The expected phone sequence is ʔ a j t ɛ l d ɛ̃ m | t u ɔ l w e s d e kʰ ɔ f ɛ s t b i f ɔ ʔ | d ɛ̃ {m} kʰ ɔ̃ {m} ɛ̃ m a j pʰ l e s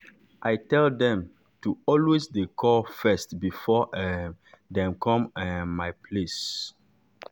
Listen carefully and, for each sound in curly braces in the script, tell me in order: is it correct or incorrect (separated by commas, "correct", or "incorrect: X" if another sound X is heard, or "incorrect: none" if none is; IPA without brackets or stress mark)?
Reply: correct, correct